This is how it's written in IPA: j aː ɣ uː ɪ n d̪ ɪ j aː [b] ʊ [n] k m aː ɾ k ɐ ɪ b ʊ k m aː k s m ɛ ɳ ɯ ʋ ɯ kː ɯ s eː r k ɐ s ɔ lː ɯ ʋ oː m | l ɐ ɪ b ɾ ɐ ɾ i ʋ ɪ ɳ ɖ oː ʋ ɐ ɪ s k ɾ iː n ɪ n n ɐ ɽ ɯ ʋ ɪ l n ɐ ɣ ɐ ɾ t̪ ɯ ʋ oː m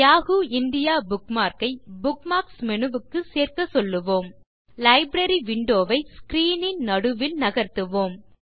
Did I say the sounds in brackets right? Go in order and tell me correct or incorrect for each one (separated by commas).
correct, incorrect